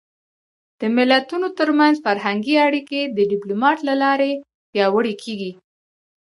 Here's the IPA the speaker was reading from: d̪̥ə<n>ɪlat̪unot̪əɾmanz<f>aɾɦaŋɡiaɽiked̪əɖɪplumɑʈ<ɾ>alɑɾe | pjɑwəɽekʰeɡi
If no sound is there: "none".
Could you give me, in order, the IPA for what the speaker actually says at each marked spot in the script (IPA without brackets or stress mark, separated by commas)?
m, f, l